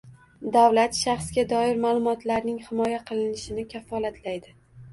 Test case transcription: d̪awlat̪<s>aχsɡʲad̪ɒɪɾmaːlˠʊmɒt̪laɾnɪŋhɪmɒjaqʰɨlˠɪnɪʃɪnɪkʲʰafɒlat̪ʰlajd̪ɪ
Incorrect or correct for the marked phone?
incorrect: ʃ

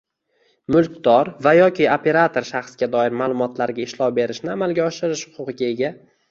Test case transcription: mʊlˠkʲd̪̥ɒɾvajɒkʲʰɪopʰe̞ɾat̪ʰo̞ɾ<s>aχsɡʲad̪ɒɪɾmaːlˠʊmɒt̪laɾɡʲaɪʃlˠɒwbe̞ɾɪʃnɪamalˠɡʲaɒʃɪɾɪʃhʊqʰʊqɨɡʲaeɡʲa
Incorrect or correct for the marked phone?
incorrect: ʃ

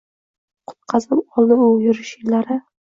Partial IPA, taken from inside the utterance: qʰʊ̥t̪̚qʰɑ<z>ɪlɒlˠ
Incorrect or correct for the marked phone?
correct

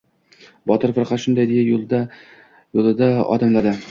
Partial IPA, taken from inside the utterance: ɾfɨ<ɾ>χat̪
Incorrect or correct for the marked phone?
correct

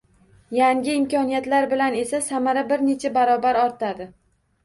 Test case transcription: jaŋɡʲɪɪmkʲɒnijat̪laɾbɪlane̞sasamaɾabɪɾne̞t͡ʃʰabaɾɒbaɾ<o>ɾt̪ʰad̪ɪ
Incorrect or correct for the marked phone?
incorrect: ɒ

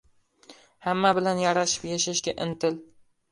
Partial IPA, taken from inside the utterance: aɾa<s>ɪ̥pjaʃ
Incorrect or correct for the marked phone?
incorrect: ʃ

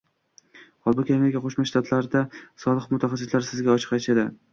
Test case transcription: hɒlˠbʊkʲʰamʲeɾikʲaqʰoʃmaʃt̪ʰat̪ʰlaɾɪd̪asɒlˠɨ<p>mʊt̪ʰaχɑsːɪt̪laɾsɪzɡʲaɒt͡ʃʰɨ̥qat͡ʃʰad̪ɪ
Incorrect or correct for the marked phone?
incorrect: q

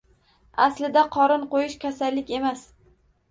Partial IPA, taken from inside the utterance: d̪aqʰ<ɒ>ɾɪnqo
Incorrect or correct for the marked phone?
correct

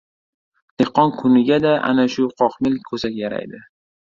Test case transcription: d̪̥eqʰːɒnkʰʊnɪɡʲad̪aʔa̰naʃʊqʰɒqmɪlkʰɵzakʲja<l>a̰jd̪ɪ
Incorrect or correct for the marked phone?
incorrect: ɾ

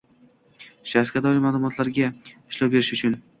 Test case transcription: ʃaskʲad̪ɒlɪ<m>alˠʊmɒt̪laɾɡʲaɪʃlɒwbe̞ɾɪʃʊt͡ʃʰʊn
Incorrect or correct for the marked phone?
correct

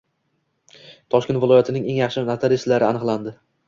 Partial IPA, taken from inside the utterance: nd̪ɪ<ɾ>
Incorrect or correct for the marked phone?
incorrect: none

